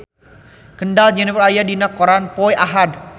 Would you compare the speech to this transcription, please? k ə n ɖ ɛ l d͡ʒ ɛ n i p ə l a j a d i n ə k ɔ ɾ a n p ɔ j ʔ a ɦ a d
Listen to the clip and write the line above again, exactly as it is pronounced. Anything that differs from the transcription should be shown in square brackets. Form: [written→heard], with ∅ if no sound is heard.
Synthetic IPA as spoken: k ə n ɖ [ɛ→a] l d͡ʒ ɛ n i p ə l a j a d i n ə k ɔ ɾ a n p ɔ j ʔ a ɦ a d